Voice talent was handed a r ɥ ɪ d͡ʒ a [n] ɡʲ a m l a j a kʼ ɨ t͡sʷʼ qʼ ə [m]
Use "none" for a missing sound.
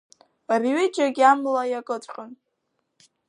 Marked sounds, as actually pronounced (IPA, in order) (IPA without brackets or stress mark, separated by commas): none, n